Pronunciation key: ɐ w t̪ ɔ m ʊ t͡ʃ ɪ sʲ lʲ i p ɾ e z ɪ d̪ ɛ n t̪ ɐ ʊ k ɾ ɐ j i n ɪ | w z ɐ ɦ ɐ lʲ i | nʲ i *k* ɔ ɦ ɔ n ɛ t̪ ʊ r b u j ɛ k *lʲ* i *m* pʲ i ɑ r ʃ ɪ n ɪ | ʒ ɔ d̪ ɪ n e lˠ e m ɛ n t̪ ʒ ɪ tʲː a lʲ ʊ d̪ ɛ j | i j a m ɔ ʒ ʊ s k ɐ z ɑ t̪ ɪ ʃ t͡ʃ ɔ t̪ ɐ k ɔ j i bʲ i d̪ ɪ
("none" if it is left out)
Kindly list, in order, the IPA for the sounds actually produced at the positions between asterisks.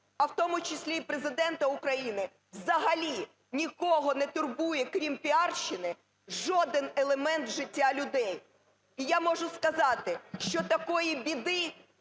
k, ɾʲ, m

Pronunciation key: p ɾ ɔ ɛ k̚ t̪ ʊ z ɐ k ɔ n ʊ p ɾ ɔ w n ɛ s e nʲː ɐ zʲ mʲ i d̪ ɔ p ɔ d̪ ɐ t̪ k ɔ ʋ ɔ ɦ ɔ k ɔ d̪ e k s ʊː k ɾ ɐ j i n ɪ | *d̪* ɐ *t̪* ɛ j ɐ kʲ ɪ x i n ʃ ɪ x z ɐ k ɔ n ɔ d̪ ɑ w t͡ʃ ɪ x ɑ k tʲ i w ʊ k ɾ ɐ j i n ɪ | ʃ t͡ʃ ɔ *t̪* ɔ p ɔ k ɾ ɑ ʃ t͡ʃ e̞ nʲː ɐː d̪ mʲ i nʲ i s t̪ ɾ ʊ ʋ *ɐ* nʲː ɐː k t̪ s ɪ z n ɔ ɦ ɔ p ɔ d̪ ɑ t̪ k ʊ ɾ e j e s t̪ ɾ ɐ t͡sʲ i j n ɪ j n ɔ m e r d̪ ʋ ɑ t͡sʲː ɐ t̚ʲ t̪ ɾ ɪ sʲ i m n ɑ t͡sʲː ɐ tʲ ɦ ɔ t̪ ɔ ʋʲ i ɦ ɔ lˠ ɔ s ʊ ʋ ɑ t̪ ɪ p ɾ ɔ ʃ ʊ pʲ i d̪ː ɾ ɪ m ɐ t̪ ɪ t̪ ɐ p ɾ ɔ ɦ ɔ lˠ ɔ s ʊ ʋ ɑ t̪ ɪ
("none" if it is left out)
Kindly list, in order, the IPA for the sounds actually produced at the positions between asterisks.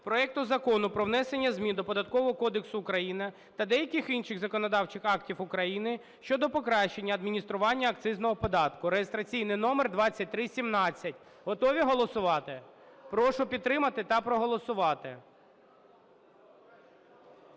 t̪, d̪, d̪, ɑ

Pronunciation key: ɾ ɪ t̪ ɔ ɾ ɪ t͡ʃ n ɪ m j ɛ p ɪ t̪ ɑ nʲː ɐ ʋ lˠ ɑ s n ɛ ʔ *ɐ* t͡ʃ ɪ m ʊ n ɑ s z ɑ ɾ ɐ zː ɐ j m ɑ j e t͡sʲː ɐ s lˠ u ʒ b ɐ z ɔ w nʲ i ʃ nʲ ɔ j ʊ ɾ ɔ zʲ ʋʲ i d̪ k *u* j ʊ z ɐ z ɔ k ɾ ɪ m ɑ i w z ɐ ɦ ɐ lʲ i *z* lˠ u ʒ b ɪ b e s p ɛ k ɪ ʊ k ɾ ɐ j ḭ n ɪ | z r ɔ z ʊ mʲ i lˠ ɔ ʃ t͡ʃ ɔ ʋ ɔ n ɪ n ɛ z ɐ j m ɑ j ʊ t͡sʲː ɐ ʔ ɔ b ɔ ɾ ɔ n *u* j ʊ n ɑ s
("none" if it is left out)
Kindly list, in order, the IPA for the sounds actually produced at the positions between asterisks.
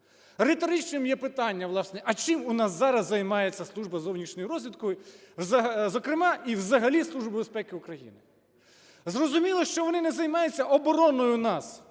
ɐ, ɔ, s, ɔ

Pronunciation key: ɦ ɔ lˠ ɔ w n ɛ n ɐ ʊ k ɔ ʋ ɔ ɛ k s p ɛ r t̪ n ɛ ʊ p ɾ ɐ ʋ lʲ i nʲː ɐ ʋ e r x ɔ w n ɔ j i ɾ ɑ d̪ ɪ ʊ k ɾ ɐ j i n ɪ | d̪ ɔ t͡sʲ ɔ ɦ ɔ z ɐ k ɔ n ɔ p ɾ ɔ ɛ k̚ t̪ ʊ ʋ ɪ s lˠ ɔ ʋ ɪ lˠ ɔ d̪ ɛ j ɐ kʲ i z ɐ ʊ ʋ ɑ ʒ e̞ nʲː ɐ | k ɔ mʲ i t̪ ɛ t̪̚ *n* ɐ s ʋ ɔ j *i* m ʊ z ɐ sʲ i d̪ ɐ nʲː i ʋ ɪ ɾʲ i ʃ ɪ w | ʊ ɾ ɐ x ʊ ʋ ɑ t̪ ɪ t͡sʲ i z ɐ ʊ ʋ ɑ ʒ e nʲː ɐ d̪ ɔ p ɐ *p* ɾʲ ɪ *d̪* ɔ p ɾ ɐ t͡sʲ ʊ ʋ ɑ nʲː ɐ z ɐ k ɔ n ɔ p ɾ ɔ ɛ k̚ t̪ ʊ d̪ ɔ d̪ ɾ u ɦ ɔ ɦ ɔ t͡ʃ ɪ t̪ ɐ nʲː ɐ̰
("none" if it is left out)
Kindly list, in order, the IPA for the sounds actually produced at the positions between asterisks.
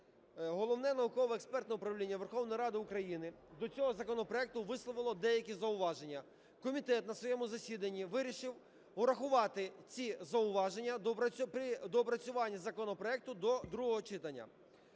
n, ɛ, p, d̪

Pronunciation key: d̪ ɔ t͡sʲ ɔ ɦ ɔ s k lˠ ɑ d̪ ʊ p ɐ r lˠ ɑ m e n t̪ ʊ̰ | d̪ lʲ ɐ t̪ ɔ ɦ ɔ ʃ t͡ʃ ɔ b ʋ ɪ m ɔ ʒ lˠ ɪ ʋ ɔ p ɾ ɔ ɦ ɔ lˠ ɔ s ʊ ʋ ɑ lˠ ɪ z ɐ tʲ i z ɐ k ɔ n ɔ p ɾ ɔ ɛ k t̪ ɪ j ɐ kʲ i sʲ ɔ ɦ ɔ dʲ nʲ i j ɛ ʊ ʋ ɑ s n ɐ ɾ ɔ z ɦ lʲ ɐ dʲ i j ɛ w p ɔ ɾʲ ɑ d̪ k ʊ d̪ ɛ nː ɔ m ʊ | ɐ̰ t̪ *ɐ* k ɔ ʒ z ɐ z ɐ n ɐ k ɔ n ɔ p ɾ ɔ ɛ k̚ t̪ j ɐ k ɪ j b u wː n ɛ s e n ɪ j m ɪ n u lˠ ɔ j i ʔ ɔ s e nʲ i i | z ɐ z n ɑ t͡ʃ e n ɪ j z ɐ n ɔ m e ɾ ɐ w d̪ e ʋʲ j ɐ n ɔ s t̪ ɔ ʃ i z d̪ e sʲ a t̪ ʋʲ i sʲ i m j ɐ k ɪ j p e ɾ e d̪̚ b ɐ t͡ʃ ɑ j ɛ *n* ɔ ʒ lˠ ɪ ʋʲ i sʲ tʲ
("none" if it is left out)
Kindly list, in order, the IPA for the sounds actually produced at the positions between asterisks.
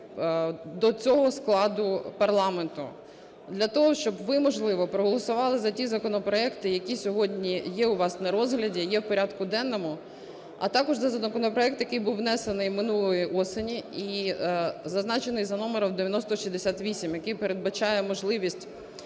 ɑ, m

